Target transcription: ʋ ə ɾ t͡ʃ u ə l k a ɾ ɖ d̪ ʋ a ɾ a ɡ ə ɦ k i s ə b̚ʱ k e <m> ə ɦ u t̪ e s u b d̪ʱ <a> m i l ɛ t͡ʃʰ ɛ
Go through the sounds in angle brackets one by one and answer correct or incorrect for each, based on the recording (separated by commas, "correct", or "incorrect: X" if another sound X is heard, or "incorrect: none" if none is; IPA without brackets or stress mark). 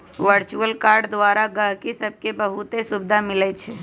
incorrect: b, correct